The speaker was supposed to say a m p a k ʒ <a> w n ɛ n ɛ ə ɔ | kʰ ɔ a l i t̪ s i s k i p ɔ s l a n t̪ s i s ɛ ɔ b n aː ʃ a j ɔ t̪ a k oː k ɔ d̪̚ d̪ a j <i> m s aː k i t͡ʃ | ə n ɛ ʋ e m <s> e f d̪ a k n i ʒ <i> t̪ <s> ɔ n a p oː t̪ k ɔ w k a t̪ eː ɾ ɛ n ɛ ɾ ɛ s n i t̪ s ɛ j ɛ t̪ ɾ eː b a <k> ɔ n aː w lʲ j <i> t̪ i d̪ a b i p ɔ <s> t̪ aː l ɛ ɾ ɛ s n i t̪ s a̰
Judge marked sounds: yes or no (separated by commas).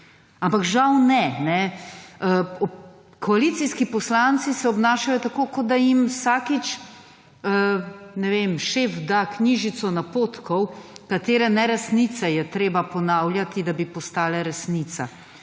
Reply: yes, yes, no, yes, yes, no, no, yes